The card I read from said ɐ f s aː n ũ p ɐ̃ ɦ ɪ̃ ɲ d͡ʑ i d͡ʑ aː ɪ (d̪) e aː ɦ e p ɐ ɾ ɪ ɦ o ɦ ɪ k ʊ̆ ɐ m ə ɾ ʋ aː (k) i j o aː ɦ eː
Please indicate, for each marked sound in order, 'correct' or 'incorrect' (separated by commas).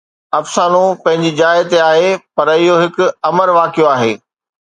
incorrect, correct